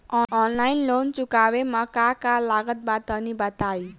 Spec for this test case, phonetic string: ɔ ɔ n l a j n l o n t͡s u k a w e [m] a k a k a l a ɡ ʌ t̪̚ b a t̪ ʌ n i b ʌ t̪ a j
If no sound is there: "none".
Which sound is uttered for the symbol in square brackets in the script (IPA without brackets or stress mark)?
m